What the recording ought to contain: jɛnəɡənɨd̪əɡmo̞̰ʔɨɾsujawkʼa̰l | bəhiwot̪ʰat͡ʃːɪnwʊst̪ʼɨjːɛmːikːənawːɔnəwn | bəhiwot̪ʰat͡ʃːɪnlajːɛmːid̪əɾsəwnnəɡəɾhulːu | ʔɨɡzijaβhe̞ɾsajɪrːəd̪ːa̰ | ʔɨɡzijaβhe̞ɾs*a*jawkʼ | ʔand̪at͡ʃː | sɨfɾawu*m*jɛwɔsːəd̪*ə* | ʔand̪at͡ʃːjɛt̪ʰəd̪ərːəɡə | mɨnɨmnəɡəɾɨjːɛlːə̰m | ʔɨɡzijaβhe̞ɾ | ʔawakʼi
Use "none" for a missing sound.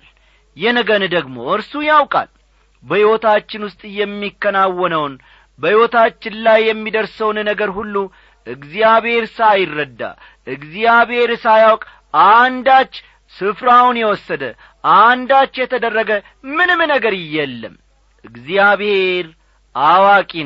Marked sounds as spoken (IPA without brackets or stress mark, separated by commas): a, n, ə